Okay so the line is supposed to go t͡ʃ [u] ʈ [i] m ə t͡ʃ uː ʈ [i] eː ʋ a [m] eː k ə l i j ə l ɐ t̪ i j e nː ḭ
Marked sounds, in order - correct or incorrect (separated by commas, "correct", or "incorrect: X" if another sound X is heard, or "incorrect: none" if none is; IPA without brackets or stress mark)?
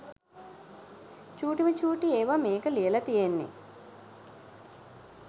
incorrect: uː, correct, correct, correct